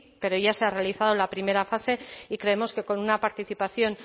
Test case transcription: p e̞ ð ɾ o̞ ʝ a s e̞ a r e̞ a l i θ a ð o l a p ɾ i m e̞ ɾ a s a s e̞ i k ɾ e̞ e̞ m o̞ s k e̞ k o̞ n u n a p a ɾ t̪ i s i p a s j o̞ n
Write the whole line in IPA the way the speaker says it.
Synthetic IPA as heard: p e̞ ɾ o̞ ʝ a s e̞ a r e̞ a l i θ a ð o l a p ɾ i m e̞ ɾ a f a s e̞ i k ɾ e̞ e̞ m o̞ s k e̞ k o̞ n u n a p a ɾ t̪ i θ i p a θ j o̞ n